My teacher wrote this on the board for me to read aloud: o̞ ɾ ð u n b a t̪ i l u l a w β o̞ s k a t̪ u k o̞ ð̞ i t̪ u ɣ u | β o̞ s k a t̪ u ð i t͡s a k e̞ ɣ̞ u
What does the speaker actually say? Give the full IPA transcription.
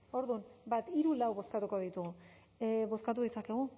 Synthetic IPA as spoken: o̞ ɾ ð u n b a t̪ i ɾ u l a w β o̞ s k a t̪ u k o̞ ð̞ i t̪ u ɣ u | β o̞ s k a t̪ u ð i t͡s a k e̞ ɣ̞ u